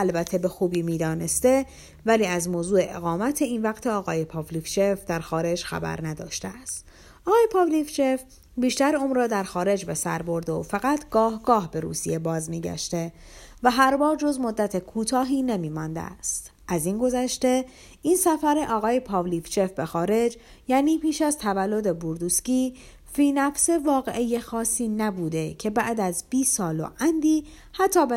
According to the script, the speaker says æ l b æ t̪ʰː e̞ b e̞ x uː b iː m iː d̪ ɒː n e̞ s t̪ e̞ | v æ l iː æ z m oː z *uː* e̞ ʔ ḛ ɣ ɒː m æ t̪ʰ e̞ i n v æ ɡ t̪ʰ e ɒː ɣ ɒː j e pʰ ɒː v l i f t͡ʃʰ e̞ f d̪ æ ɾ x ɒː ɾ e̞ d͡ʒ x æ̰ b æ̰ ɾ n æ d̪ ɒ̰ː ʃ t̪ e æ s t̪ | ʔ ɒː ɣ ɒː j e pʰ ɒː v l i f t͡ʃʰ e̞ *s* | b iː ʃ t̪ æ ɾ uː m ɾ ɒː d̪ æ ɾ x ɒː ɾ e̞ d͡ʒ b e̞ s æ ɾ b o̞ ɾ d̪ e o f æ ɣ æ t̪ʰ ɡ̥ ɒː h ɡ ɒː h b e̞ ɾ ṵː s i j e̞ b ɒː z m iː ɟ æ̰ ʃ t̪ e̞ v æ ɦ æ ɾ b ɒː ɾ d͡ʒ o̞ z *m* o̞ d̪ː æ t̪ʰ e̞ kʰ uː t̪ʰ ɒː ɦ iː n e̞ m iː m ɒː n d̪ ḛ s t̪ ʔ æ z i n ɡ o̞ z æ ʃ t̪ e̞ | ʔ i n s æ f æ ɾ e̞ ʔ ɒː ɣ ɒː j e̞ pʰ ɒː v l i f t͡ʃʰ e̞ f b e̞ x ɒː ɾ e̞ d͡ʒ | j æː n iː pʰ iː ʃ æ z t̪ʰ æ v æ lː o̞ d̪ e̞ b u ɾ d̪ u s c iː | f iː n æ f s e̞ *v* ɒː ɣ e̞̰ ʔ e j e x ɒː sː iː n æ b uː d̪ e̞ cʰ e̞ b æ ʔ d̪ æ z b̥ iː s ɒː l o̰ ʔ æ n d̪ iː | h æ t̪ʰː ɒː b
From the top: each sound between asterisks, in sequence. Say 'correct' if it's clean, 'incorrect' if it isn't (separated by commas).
correct, incorrect, correct, correct